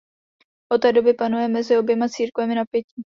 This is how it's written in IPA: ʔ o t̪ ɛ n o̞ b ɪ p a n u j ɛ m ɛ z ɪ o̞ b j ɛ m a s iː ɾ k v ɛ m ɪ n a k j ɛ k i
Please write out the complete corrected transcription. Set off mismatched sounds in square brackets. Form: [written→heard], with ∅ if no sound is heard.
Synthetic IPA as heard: ʔ o t̪ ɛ [n→d] o̞ b ɪ p a n u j ɛ m ɛ z ɪ o̞ b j ɛ m a [s→t͡s] iː ɾ k v ɛ m ɪ n a [k→p] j ɛ [k→c] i